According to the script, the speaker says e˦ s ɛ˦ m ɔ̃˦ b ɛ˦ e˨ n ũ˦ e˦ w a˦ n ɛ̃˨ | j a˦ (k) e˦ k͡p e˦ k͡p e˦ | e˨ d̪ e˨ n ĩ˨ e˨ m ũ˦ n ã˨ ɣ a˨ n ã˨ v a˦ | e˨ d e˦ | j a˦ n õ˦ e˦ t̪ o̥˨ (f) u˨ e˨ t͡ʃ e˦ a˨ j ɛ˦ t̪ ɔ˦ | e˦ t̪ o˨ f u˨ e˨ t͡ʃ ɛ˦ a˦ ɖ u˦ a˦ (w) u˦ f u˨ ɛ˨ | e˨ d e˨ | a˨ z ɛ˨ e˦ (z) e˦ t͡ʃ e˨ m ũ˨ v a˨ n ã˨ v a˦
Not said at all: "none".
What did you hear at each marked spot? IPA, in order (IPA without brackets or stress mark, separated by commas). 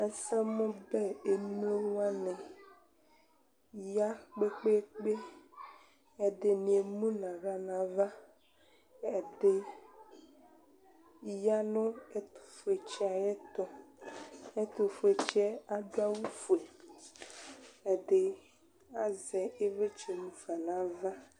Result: k͡p, f, w, v